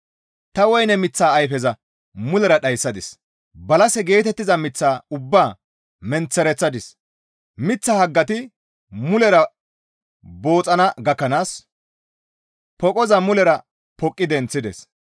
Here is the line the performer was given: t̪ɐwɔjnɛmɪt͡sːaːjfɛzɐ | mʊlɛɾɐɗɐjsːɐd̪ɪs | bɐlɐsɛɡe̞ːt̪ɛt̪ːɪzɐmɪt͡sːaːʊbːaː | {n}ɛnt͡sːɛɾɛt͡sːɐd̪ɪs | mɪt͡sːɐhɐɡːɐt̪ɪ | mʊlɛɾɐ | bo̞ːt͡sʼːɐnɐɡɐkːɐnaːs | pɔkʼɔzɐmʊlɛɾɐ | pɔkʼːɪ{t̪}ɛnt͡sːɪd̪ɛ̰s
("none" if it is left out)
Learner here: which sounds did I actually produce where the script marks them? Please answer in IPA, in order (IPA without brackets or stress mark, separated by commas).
m, d̪